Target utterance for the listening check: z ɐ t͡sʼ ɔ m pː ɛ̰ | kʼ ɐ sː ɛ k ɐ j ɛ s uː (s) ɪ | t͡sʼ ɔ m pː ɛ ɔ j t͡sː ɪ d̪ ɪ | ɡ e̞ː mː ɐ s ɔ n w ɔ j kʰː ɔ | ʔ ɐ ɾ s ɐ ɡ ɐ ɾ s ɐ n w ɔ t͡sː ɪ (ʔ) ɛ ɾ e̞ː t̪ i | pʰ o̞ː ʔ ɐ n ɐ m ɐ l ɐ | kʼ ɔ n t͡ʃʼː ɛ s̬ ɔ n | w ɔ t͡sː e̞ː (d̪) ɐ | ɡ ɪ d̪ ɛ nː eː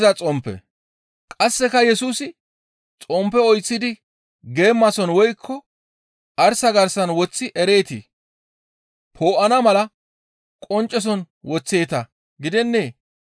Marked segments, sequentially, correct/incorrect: correct, correct, incorrect: t̪

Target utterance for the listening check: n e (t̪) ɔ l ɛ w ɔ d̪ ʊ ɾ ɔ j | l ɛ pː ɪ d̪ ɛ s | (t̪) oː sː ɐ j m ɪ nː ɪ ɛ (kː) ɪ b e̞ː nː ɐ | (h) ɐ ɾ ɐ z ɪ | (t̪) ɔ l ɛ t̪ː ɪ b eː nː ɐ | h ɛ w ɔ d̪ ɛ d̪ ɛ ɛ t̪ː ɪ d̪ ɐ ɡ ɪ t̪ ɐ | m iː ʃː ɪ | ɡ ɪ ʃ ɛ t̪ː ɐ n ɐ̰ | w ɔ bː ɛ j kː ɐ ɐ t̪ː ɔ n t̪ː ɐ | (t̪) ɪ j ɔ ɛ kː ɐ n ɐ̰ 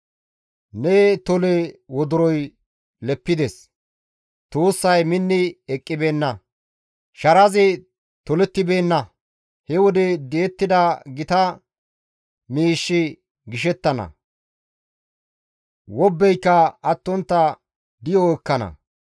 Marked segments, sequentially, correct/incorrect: correct, correct, incorrect: kʼː, incorrect: ʃ, correct, incorrect: d̪

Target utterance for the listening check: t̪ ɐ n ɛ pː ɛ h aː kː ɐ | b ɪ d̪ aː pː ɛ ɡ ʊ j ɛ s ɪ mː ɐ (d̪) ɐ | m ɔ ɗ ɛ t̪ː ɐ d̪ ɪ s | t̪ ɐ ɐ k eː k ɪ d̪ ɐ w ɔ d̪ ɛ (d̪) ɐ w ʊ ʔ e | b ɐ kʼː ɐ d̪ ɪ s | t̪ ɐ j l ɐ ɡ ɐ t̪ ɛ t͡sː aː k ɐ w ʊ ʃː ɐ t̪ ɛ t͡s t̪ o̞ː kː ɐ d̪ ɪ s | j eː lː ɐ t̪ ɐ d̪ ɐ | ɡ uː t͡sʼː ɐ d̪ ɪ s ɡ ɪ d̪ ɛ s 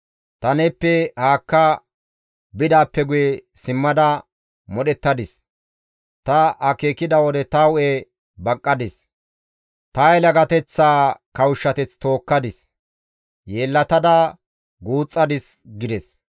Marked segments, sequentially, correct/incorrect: correct, incorrect: t̪

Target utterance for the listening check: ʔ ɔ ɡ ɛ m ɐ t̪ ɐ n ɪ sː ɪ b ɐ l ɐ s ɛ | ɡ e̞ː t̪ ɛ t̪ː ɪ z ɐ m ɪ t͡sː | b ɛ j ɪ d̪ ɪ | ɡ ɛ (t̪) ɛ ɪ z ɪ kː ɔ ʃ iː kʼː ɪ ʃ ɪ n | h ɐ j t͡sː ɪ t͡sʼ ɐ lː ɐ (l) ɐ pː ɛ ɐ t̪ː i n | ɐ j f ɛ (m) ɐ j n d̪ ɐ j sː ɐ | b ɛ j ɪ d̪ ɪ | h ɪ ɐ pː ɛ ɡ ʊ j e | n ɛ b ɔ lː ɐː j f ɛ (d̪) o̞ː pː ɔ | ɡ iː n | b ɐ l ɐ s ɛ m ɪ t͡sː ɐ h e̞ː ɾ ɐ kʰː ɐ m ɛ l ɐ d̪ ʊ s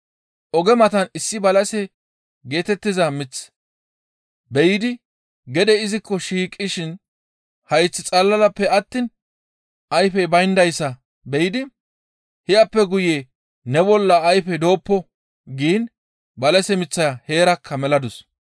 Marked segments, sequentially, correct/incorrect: incorrect: d̪, correct, incorrect: b, correct

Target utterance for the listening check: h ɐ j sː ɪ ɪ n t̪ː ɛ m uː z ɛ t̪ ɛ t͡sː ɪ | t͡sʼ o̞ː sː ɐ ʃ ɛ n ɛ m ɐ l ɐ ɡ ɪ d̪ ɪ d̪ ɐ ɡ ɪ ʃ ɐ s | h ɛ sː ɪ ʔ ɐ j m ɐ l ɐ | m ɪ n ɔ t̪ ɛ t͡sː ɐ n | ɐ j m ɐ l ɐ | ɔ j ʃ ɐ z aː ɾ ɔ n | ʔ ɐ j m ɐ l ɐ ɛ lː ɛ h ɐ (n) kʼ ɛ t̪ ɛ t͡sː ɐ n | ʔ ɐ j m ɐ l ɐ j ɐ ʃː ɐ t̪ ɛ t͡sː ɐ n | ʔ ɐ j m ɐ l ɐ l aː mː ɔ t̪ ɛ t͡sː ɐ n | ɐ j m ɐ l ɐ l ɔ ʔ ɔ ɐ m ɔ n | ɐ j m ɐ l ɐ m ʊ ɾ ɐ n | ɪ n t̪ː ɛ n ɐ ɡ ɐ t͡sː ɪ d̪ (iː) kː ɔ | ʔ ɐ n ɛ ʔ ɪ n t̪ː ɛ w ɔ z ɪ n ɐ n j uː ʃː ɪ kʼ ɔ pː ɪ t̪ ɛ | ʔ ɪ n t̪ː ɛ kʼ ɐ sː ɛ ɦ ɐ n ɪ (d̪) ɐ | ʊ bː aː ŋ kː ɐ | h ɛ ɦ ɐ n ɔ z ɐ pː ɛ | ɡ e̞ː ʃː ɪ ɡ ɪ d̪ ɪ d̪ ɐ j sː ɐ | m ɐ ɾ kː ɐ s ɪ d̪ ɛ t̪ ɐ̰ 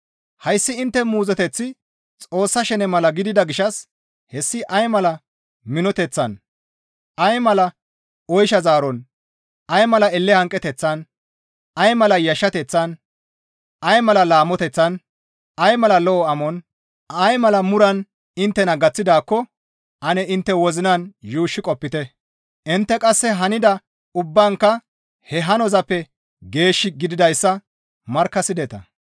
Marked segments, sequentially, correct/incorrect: incorrect: ŋ, incorrect: aː, correct

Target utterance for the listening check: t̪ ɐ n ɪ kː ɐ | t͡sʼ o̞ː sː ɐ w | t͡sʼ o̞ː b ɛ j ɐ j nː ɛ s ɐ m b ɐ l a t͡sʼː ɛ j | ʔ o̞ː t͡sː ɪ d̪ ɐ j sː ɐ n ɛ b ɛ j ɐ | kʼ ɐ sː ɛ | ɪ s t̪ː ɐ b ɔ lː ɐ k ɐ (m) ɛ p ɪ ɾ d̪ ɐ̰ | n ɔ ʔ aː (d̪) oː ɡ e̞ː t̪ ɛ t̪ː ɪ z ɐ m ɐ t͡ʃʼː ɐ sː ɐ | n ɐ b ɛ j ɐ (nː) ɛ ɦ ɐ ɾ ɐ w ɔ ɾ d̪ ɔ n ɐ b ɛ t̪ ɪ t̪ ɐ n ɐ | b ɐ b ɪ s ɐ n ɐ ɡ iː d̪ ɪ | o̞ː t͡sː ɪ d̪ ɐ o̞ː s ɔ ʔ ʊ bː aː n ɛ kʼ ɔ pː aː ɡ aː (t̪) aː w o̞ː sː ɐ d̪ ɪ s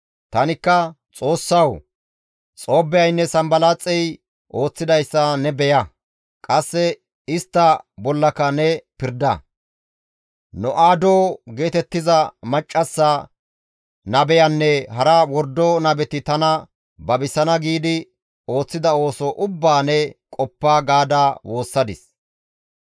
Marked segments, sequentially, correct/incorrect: incorrect: n, correct, correct, incorrect: d̪

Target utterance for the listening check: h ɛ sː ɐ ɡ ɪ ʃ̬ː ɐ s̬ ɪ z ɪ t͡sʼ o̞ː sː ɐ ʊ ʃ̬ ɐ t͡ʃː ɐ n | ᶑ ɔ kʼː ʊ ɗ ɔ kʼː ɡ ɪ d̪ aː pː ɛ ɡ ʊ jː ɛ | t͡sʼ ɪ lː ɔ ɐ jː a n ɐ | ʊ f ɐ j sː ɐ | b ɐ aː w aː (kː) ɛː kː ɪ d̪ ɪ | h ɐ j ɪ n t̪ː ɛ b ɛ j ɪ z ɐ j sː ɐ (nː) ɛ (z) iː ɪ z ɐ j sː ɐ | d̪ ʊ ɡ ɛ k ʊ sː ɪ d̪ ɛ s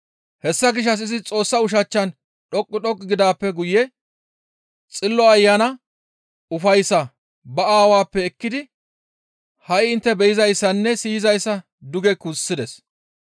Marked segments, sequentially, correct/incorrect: incorrect: pː, correct, incorrect: s

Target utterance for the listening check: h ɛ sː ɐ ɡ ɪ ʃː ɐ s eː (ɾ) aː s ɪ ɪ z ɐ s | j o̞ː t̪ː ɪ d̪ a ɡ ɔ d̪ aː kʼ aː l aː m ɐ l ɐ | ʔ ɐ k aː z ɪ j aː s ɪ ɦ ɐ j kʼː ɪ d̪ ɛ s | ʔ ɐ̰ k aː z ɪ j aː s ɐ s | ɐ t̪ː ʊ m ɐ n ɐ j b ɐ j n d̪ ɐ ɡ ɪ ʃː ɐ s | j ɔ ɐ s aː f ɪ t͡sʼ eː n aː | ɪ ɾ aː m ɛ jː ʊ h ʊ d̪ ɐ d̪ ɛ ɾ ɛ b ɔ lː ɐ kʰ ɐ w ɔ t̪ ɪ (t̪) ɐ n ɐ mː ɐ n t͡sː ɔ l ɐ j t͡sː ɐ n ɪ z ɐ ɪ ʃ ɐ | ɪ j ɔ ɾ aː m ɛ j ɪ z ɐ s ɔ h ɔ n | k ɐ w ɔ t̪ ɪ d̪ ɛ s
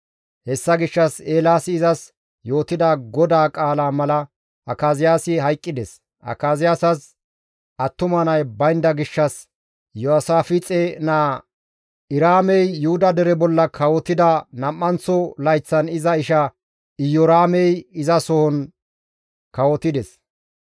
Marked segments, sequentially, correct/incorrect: incorrect: l, incorrect: d̪

